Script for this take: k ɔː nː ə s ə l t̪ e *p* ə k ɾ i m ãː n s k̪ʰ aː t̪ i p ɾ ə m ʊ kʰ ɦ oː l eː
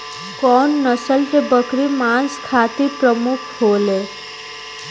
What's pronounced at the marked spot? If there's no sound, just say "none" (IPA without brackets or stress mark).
b